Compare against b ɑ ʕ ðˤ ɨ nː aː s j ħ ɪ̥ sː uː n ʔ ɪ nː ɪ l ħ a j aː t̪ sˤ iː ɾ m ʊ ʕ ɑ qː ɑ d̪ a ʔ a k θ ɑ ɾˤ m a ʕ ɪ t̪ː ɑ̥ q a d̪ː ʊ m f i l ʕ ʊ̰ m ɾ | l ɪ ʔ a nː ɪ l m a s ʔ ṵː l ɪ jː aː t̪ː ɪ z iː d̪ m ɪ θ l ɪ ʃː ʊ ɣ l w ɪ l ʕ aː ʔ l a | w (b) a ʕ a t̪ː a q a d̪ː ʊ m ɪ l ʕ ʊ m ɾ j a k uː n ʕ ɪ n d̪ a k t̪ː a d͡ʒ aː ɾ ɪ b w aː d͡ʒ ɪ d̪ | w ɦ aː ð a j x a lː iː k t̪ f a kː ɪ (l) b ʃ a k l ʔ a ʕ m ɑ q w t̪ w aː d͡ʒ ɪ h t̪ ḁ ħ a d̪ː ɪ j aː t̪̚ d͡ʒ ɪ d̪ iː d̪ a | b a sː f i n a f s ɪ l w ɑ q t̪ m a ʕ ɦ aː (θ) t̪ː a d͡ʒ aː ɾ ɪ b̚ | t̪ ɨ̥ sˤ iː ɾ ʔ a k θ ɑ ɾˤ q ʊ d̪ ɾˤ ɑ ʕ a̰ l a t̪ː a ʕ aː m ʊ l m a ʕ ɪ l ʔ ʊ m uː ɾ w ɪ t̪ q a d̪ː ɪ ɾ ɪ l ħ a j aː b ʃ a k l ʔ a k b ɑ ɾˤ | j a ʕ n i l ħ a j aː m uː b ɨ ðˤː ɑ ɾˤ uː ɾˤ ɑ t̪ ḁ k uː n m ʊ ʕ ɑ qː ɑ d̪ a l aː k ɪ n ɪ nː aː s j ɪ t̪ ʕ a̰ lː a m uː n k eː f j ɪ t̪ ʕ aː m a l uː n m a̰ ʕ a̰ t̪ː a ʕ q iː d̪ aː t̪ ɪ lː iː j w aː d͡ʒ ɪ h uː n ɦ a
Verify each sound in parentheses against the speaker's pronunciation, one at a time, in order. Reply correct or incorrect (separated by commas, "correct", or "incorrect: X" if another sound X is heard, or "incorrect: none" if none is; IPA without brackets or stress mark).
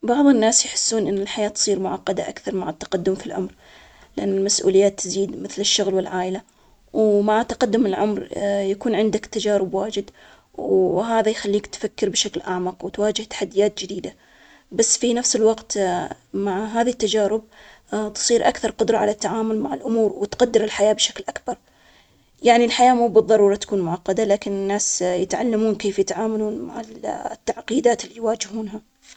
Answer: incorrect: m, incorrect: ɾ, incorrect: ð